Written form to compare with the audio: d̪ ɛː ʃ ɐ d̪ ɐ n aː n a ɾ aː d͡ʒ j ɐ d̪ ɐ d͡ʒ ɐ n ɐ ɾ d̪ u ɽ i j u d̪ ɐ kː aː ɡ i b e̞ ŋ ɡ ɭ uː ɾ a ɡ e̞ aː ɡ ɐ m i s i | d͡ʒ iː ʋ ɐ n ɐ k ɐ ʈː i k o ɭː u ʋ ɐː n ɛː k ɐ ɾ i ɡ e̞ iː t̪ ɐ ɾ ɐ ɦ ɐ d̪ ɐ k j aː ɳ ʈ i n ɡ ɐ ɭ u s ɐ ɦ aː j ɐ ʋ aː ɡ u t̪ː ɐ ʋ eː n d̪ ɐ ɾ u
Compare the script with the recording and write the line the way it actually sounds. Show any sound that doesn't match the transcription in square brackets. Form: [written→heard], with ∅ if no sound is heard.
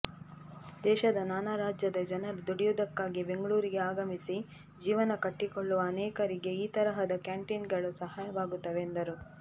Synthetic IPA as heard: d̪ ɛː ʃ ɐ d̪ ɐ n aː n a ɾ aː d͡ʒ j ɐ d̪ ɐ d͡ʒ ɐ n ɐ ɾ d̪ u ɽ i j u d̪ ɐ kː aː ɡ i b e̞ ŋ ɡ ɭ uː ɾ [a→i] ɡ e̞ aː ɡ ɐ m i s i | d͡ʒ iː ʋ ɐ n ɐ k ɐ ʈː i k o ɭː u ʋ ɐː n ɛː k ɐ ɾ i ɡ e̞ iː t̪ ɐ ɾ ɐ ɦ ɐ d̪ ɐ k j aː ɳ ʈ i n ɡ ɐ ɭ u s ɐ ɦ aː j ɐ ʋ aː ɡ u t̪ː ɐ ʋ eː n d̪ ɐ ɾ u